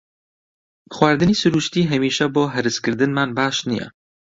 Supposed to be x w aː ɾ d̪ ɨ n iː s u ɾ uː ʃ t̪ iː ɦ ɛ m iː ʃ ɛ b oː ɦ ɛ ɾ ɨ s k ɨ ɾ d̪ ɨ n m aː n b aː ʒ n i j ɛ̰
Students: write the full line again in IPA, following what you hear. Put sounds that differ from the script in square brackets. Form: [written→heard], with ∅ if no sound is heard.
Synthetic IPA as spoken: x w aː ɾ d̪ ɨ n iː s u ɾ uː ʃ t̪ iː ɦ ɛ m iː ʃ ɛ b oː ɦ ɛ ɾ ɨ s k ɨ ɾ d̪ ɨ n m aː n b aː [ʒ→ʃ] n i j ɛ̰